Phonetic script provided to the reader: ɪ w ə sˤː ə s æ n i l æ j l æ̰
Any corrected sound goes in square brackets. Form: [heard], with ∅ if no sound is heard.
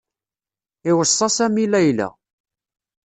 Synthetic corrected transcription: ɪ w ə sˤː [ɑ] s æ [m] i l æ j l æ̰